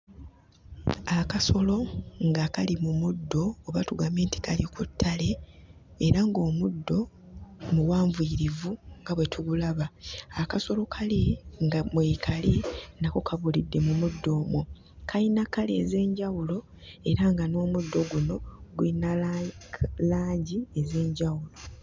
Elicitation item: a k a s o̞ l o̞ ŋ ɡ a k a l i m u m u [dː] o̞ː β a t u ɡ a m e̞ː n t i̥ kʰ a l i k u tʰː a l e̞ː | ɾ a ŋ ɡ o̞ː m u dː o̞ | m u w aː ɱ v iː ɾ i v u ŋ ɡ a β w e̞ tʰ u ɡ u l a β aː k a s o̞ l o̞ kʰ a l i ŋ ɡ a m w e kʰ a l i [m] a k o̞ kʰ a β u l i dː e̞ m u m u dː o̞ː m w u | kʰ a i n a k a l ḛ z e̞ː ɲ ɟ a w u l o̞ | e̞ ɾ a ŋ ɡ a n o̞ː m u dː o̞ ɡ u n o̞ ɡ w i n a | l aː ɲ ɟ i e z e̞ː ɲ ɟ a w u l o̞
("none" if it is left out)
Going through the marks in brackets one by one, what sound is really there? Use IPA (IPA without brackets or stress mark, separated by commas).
dː, n